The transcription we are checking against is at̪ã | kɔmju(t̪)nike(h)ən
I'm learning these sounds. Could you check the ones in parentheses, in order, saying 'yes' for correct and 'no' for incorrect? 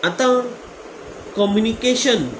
no, no

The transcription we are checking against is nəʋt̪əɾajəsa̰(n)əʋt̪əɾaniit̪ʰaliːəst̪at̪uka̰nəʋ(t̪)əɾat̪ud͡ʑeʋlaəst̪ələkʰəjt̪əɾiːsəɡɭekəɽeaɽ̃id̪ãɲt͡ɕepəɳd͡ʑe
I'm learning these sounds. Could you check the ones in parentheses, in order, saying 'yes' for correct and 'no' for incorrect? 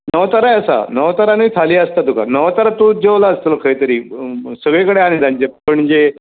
yes, yes

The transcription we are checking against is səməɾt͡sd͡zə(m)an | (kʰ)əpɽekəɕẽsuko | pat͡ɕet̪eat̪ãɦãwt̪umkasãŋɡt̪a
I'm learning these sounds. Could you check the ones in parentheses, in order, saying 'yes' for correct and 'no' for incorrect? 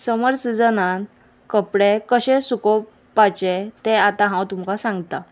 no, no

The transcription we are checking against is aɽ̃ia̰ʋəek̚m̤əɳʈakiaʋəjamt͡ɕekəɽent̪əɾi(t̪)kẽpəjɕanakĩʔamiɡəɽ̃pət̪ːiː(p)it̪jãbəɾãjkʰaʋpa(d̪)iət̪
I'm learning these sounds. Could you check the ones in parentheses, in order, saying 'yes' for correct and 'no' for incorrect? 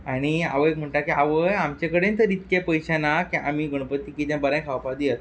yes, no, yes

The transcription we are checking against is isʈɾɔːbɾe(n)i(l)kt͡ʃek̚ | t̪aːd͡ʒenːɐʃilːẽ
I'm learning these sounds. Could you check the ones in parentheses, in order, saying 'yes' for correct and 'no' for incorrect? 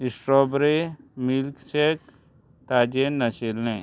no, yes

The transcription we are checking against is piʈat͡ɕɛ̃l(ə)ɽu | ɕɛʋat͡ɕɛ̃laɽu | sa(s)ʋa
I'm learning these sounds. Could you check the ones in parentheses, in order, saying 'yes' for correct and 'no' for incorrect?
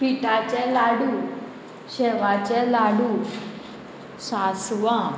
no, yes

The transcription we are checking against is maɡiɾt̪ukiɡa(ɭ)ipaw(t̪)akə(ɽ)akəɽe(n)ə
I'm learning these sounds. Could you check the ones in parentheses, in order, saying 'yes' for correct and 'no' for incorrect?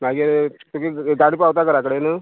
no, yes, no, yes

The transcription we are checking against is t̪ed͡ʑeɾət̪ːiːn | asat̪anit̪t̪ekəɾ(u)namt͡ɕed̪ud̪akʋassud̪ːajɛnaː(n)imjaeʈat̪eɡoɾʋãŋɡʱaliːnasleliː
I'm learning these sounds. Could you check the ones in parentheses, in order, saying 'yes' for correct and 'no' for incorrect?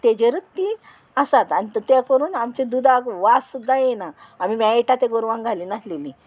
no, no

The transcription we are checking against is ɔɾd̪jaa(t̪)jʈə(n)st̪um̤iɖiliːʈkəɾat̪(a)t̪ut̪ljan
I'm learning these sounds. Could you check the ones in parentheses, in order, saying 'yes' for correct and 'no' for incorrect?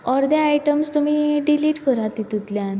no, no, no

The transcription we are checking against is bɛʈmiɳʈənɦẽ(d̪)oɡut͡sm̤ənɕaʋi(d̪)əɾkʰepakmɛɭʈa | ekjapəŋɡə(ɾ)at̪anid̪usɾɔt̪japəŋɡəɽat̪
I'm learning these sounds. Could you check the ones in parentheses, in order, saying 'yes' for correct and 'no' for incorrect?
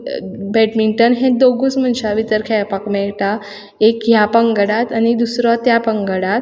yes, no, no

